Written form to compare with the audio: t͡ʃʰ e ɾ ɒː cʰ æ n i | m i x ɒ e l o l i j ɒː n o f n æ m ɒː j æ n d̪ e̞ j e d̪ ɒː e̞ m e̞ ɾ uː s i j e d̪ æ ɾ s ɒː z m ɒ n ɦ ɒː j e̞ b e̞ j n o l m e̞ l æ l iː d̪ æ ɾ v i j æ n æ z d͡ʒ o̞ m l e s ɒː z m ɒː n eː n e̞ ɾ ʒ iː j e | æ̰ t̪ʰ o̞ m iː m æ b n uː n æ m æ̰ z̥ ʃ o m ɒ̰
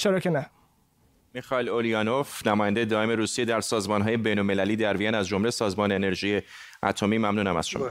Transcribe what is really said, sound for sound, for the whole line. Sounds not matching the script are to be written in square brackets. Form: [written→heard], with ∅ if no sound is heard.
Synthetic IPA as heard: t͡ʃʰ e ɾ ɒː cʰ [æ→e] n [i→æ] | m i x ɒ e l o l i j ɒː n o f n æ m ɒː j æ n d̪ e̞ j e d̪ ɒː e̞ m e̞ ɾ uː s i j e d̪ æ ɾ s ɒː z m ɒ n ɦ ɒː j e̞ b e̞ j n o l m e̞ l æ l iː d̪ æ ɾ v i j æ n æ z d͡ʒ o̞ m l e s ɒː z m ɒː n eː n e̞ ɾ ʒ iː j e | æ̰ t̪ʰ o̞ m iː m æ [b→m] n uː n æ m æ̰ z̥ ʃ o m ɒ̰